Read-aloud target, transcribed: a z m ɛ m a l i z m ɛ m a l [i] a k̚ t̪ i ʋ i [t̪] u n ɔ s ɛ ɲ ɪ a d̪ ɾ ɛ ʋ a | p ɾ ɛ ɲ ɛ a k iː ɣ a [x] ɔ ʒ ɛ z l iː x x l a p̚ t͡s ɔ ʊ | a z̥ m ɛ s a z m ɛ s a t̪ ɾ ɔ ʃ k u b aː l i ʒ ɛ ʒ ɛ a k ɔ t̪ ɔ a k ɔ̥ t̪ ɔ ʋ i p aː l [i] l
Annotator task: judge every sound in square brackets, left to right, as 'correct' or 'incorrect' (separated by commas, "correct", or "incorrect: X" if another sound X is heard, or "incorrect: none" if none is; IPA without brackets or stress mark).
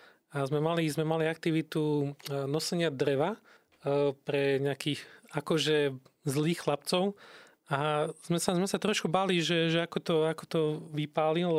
correct, correct, incorrect: k, correct